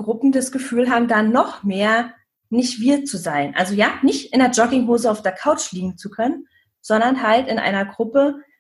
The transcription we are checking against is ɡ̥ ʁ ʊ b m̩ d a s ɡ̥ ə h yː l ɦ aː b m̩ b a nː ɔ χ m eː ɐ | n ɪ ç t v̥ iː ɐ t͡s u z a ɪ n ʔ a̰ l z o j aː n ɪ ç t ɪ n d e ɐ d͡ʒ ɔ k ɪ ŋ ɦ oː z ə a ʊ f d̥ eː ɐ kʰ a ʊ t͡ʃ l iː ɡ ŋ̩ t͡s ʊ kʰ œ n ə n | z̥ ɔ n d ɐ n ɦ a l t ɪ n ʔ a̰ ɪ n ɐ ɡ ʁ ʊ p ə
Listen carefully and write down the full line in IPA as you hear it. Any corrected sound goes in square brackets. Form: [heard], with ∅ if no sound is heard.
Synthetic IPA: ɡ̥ ʁ ʊ [p] m̩ d a s ɡ̥ ə [f] yː l ɦ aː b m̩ [d] a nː ɔ χ m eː ɐ | n ɪ ç t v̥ iː ɐ t͡s u z a ɪ n ʔ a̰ l z o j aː n ɪ ç t ɪ n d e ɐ d͡ʒ ɔ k ɪ ŋ ɦ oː z ə a ʊ f d̥ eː ɐ kʰ a ʊ t͡ʃ l iː ɡ ŋ̩ t͡s [u] kʰ œ n ə n | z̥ ɔ n d ɐ n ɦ a l t ɪ n ʔ a̰ ɪ n ɐ ɡ ʁ ʊ p ə